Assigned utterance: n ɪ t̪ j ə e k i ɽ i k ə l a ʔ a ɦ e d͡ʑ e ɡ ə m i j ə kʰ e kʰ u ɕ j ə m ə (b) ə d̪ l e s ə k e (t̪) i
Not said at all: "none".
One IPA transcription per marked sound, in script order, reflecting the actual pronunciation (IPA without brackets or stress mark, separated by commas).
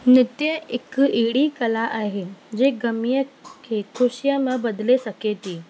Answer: b, t̪